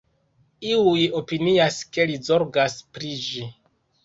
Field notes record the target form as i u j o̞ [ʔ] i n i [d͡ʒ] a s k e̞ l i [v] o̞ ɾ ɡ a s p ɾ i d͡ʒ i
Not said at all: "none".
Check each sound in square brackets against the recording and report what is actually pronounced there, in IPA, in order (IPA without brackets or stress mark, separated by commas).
p, none, z